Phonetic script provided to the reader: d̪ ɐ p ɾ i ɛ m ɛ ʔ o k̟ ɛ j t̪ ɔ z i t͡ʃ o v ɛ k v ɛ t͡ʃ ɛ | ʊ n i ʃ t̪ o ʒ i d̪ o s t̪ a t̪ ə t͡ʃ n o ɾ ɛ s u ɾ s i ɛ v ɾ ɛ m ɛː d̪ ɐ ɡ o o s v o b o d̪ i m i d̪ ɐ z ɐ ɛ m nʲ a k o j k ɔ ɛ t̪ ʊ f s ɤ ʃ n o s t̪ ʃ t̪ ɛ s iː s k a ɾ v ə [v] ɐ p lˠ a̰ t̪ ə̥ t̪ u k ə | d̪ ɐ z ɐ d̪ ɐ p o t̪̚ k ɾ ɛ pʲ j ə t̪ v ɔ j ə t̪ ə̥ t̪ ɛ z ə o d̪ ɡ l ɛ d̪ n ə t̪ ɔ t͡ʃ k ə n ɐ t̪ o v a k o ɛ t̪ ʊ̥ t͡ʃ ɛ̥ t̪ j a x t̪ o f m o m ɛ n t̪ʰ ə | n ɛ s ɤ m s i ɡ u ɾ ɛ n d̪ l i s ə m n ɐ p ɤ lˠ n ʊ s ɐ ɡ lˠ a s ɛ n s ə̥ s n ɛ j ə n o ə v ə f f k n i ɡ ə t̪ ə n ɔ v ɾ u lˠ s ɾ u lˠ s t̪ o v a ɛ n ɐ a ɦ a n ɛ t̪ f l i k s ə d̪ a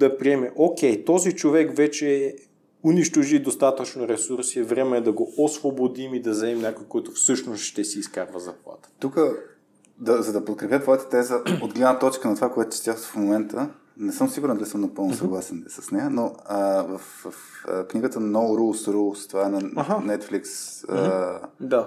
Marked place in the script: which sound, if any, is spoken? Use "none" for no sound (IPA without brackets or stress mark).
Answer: z